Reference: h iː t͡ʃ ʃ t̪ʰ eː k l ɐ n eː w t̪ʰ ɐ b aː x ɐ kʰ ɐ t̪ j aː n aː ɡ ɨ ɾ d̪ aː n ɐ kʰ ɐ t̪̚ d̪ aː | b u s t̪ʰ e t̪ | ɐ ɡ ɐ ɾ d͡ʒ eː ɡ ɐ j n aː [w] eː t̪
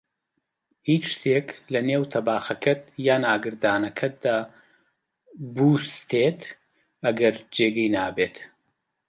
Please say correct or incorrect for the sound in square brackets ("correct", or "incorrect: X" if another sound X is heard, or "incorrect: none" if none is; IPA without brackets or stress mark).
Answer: incorrect: b